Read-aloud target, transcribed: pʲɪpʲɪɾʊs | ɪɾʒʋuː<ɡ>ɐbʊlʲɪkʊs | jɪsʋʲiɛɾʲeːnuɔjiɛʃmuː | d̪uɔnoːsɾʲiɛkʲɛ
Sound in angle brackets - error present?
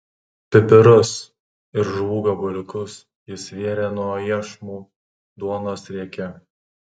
no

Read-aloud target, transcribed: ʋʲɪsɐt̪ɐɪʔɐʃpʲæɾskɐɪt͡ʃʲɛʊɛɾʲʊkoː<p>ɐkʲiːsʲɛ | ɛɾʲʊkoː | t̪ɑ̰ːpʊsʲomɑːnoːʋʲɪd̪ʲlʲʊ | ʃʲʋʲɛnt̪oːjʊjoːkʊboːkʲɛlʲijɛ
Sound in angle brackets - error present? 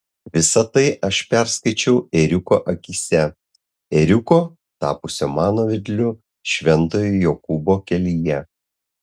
yes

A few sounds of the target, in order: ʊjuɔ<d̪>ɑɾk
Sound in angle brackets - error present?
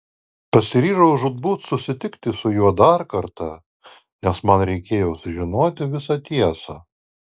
no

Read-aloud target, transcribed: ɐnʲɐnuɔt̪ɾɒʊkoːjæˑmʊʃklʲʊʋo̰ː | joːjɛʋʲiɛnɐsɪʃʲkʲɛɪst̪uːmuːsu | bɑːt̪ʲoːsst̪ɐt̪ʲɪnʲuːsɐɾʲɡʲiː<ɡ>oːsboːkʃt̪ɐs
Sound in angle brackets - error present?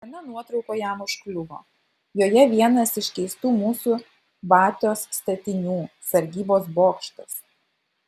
yes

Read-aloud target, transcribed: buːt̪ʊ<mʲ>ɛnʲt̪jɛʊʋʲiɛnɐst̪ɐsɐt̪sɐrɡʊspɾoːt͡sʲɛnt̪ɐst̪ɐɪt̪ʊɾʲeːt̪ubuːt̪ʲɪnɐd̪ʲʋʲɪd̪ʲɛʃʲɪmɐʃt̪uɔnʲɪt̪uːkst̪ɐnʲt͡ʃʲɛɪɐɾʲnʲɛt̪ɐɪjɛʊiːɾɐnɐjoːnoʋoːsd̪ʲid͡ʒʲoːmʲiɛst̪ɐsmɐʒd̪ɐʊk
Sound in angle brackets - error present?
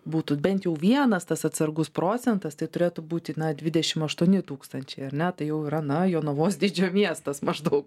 yes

